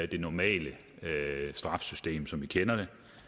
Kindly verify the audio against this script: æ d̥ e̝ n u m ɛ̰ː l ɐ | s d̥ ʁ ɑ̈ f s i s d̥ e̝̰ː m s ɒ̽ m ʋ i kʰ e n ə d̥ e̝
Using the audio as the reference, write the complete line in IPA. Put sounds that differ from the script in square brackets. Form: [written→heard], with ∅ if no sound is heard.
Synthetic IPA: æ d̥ e̝ n [u→ɒ] m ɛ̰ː l [ɐ→ə] | s d̥ ʁ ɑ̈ f s [i→y] s d̥ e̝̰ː m s ɒ̽ m ʋ i kʰ e n [ə→ɐ] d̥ e̝